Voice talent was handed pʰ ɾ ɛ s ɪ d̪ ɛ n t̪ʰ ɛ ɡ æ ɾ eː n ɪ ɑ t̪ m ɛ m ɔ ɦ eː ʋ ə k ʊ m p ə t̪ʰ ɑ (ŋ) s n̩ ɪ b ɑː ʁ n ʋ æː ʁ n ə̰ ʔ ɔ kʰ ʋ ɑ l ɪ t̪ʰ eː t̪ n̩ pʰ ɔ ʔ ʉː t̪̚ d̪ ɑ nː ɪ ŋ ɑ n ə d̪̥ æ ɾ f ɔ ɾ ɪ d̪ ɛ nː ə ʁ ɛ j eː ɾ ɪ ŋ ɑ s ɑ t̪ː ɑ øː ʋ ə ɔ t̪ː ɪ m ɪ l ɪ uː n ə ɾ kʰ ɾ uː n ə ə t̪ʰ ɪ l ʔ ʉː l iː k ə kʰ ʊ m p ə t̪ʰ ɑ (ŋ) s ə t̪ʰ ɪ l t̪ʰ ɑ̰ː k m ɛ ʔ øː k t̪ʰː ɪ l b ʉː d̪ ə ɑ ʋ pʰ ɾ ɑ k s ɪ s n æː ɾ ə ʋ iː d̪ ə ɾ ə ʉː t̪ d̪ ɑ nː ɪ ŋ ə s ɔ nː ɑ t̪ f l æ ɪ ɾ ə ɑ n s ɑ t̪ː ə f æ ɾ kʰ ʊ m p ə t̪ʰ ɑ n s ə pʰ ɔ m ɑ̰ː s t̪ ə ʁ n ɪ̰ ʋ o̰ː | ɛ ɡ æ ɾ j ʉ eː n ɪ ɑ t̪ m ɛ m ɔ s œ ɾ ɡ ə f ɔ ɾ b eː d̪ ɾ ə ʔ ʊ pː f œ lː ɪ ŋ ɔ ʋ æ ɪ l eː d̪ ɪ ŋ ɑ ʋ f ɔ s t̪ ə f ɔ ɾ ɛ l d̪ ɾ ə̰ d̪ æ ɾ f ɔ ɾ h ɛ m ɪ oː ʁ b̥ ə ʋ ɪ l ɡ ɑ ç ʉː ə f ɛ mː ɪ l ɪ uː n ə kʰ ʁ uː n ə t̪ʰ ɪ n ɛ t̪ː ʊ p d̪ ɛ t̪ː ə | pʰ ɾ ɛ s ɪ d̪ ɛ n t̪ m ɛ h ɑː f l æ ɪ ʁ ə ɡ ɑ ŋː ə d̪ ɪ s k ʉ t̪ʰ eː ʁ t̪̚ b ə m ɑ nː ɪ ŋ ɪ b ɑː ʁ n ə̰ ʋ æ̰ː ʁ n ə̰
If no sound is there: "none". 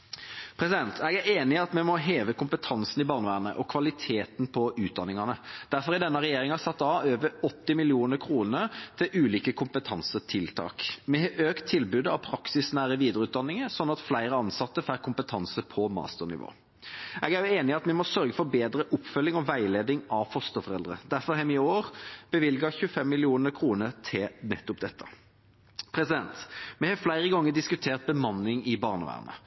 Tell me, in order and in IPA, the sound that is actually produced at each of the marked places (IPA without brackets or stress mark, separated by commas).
n, n